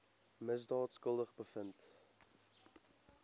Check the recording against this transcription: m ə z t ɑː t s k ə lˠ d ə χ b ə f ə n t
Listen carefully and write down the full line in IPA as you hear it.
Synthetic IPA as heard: m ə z d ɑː t s k ə lˠ d ə χ b ə f ə n t